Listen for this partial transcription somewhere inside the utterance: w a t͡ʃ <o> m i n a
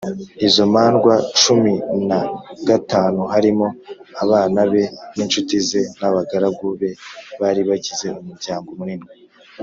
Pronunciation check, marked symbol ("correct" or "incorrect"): incorrect